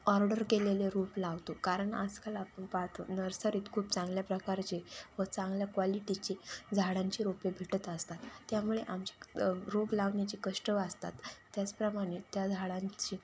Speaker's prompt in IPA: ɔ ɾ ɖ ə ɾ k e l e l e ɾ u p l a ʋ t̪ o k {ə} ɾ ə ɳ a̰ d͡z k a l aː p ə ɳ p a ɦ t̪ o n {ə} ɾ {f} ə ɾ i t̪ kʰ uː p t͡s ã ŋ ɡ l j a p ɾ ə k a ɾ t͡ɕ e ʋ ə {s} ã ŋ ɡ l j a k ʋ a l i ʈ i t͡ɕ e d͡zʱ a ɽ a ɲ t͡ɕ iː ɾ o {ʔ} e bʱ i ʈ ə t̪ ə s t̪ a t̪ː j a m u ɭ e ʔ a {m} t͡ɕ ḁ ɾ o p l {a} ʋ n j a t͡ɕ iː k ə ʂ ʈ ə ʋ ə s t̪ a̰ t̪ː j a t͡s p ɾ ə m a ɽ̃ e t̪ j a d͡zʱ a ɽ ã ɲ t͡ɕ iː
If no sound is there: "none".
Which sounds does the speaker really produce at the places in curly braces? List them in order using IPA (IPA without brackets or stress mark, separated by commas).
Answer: a, ə, s, t͡s, p, m, a